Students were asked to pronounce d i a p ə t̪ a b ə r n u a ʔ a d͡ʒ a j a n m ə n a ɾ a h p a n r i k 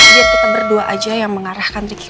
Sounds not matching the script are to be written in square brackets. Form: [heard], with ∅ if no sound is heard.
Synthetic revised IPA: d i a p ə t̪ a b ə r [d] u a ʔ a d͡ʒ a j a [ŋ] m ə [ŋ] a ɾ a h [k] a n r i k

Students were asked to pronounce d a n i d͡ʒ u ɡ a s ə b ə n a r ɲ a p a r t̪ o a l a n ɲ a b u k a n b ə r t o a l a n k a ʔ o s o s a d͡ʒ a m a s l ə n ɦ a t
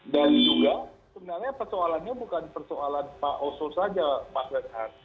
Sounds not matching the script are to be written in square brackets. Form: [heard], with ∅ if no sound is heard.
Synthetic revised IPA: d a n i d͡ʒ u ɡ a s ə b ə n a r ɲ a p [ə] r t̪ o a l a n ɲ a b u k a n [p] ə r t o a l a n [p] a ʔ o s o s a d͡ʒ a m a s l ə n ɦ a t

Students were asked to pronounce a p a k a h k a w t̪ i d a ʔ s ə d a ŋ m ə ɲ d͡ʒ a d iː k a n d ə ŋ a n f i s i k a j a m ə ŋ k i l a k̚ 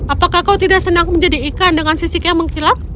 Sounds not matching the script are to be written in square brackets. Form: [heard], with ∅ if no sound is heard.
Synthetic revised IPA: a p a k a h k a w t̪ i d a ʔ s ə [n] a ŋ m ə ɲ d͡ʒ a d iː k a n d ə ŋ a n [s] i s i k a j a m ə ŋ k i l a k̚

